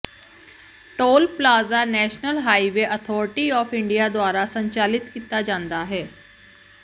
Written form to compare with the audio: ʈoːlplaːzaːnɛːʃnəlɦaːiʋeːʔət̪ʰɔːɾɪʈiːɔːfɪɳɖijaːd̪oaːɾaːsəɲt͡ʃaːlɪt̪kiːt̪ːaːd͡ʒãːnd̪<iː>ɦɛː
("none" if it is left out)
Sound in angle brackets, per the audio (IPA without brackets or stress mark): aː